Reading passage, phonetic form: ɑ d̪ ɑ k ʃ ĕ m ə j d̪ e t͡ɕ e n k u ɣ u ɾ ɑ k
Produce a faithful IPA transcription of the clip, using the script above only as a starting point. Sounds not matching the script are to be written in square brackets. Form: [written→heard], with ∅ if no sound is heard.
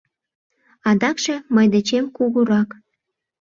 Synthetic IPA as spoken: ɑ d̪ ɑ k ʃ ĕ m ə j d̪ e t͡ɕ e [n→m] k u ɣ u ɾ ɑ k